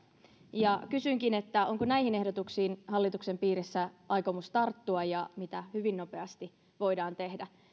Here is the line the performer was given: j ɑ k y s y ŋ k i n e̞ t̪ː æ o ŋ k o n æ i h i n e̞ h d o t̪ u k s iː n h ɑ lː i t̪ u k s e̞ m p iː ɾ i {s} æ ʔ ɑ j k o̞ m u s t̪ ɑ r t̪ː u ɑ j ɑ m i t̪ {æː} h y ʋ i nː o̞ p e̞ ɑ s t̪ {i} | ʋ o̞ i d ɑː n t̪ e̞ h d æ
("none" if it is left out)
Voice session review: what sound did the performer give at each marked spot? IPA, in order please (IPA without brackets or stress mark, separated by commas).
sː, æ, i